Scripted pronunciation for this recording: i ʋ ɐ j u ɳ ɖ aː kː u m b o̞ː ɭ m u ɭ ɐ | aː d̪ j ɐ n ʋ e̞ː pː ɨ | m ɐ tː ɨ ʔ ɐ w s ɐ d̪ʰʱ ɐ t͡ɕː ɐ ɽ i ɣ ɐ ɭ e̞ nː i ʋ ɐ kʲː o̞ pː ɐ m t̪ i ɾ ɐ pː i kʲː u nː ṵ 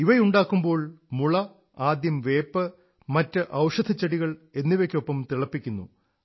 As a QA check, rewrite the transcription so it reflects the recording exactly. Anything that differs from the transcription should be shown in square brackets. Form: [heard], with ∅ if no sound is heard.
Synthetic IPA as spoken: i ʋ ɐ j u ɳ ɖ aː kː u m b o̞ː ɭ m u ɭ ɐ | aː d̪ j ɐ [m] ʋ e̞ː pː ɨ | m ɐ tː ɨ ʔ ɐ w [ʂ] ɐ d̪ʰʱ ɐ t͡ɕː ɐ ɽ i ɣ ɐ ɭ e̞ nː i ʋ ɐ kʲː o̞ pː ɐ m t̪ i [ɭ] ɐ pː i kʲː u nː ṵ